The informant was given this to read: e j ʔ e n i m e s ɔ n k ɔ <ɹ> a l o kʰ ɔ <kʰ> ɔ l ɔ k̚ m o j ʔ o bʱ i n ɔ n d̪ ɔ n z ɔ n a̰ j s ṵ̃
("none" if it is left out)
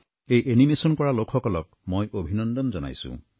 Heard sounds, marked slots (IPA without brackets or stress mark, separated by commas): ɹ, k